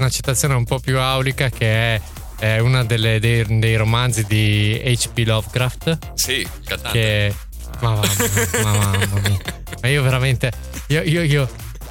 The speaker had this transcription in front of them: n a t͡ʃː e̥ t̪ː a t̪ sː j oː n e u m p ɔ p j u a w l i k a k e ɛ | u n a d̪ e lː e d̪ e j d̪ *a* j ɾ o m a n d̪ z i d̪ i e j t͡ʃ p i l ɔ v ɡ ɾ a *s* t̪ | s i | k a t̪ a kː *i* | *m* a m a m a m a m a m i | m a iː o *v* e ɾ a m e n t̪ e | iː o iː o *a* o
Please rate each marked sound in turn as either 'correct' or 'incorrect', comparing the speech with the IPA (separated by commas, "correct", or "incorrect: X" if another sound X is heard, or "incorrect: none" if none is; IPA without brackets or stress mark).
incorrect: e, incorrect: f, incorrect: e, correct, correct, incorrect: i